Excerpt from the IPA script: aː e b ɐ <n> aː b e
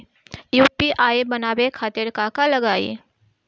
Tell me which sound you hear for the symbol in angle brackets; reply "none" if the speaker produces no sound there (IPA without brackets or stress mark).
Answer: n